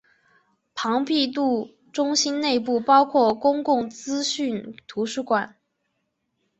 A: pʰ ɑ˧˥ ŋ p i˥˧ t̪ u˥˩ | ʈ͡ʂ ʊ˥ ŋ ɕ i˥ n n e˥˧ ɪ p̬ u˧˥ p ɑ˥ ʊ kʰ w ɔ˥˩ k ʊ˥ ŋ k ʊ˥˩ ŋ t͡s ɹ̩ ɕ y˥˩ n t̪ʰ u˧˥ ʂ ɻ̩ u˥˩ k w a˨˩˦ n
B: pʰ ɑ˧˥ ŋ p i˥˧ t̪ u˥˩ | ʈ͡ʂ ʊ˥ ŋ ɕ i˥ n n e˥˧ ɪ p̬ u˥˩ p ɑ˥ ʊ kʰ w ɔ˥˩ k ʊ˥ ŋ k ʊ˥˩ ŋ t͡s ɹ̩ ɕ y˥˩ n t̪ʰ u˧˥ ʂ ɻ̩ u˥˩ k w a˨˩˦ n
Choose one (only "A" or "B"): B